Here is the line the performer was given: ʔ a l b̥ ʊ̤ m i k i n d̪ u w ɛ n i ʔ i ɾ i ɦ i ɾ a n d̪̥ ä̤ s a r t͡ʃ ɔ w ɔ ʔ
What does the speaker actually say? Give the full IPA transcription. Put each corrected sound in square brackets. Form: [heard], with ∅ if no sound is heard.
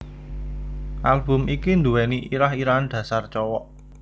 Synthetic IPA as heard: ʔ a l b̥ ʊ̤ m i k i n d̪ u w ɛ n i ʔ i ɾ [a] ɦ i ɾ a n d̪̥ ä̤ s a r t͡ʃ ɔ w ɔ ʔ